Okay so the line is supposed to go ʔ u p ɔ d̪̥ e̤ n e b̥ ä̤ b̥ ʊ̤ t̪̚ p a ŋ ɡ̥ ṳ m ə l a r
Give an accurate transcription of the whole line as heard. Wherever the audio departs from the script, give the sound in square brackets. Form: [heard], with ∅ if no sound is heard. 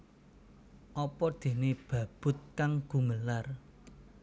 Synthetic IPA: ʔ [ɔ] p ɔ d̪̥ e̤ n e b̥ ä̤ b̥ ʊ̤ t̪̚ [k] a ŋ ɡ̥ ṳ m ə l a r